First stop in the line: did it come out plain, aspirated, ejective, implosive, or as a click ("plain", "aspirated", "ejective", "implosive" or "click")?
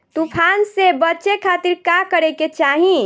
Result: plain